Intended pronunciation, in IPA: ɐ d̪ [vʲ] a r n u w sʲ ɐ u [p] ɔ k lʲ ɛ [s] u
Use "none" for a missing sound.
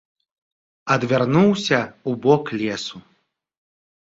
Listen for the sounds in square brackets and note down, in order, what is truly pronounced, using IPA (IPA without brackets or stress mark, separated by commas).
vʲ, b, s